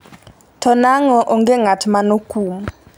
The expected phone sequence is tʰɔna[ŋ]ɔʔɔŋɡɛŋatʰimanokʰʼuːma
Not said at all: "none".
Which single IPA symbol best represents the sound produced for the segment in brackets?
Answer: ŋ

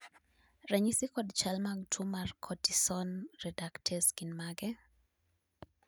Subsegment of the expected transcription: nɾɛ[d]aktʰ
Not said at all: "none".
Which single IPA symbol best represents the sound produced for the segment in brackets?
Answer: d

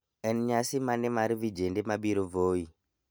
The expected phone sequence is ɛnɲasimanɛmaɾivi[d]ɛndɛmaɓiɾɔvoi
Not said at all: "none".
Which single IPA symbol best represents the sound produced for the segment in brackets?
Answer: d͡ʒ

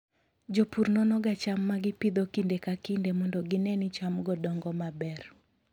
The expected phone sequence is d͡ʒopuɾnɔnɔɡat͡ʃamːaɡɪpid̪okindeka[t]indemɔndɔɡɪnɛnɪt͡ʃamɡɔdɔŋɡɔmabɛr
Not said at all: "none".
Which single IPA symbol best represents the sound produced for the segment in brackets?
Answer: k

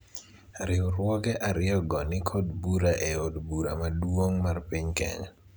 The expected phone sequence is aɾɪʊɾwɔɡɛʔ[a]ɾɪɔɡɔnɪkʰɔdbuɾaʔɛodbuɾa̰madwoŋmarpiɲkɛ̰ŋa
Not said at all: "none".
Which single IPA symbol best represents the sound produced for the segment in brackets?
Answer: a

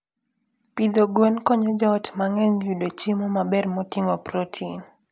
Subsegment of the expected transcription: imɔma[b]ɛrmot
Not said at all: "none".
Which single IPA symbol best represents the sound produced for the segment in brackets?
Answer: b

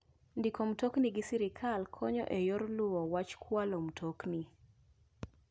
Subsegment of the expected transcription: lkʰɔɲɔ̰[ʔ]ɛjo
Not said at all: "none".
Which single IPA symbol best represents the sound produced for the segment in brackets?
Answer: ʔ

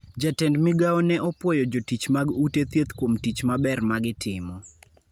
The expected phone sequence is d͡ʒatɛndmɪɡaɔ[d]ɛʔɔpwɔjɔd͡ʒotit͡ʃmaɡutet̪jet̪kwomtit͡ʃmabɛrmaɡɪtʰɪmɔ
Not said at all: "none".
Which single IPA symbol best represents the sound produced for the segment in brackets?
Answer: n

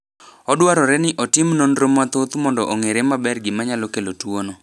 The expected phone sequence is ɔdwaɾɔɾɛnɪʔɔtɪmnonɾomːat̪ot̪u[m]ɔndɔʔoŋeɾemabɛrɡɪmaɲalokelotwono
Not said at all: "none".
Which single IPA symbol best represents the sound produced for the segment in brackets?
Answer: m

